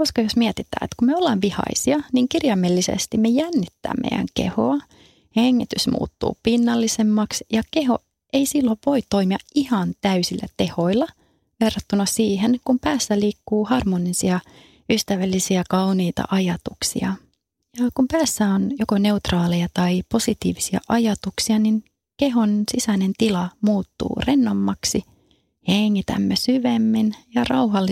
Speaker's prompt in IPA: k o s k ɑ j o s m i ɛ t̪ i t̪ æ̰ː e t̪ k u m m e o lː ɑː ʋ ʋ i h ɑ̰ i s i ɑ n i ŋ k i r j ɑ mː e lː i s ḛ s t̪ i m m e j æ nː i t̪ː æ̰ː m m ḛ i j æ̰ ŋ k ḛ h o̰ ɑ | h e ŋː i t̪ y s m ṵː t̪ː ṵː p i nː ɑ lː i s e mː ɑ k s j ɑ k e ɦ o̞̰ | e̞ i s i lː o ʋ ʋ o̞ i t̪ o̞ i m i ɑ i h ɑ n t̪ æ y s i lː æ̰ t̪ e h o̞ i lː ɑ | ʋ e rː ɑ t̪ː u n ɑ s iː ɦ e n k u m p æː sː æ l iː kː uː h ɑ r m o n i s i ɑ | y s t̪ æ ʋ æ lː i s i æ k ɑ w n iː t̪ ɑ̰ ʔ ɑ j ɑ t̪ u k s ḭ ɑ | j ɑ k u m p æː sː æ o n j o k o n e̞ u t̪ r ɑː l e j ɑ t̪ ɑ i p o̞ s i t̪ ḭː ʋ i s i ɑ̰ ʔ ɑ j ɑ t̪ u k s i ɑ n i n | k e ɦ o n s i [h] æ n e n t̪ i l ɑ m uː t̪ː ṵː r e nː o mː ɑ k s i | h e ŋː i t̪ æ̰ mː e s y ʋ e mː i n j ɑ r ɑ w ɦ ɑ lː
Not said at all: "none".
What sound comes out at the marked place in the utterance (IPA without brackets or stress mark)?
s